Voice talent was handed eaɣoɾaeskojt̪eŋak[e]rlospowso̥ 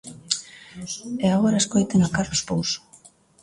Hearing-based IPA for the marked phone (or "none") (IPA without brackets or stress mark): a